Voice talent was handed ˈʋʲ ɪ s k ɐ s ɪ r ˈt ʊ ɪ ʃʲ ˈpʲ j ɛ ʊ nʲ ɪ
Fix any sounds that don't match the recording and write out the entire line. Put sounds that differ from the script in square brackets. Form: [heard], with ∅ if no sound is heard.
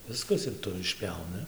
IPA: ˈʋʲ ɪ s k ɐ s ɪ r ˈt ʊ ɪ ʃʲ ˈpʲ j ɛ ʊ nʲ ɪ